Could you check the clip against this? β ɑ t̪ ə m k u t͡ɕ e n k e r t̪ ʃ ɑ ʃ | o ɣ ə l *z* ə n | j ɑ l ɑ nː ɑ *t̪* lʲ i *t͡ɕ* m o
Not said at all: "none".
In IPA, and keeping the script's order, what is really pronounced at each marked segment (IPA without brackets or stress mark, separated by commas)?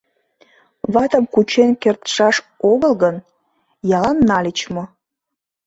ɣ, none, t͡ɕ